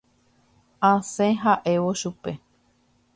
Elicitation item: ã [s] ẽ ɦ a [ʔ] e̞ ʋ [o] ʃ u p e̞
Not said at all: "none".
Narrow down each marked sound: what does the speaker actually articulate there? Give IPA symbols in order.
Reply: s, ʔ, o

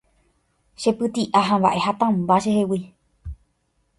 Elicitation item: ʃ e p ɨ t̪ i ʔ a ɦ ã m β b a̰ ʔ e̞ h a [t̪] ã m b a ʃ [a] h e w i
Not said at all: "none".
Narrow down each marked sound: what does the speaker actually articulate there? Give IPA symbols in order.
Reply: t̪, e

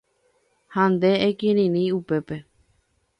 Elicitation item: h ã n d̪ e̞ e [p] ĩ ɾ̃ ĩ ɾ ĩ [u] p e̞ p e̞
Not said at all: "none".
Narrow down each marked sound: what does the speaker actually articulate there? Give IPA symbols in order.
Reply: k, u

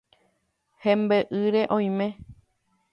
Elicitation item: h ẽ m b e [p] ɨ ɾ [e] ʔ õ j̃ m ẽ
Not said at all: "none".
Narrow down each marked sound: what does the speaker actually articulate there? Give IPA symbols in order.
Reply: ʔ, e

